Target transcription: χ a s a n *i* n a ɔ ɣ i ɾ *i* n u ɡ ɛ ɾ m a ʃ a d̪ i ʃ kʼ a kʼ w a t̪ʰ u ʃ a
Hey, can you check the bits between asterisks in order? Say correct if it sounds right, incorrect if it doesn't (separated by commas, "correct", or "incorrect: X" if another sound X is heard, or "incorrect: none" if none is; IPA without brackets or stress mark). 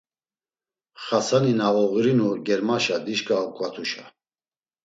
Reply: correct, correct